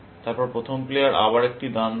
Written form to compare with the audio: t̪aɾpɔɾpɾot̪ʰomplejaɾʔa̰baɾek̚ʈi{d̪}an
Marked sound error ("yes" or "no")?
no